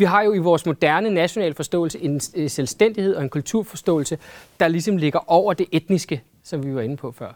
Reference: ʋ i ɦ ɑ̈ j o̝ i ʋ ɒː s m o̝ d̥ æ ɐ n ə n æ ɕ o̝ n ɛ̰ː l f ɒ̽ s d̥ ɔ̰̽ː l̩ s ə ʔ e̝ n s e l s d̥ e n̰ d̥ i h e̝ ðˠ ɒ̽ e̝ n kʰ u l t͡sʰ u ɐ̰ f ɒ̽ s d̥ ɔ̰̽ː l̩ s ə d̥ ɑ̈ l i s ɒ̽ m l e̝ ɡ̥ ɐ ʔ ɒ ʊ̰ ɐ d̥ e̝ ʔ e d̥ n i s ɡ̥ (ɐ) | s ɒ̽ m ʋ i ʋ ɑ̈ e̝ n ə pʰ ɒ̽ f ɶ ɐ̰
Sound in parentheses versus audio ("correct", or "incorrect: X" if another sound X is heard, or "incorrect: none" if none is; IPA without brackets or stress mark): incorrect: ə